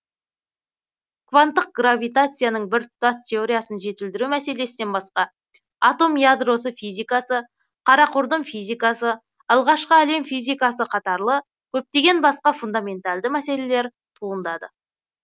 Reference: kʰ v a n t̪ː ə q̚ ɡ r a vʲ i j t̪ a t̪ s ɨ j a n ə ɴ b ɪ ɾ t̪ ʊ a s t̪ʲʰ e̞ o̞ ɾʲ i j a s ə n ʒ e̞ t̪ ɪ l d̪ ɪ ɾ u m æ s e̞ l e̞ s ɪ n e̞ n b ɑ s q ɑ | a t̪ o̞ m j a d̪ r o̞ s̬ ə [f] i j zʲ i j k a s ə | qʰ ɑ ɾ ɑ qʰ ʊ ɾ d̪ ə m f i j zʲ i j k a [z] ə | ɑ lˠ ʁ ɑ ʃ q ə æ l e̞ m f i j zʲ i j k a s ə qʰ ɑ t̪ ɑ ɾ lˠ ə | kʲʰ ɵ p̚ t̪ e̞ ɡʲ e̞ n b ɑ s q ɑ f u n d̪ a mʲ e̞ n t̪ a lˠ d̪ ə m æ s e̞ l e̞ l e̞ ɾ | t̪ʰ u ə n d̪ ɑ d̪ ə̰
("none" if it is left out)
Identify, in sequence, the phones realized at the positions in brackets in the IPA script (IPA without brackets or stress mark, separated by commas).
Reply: f, s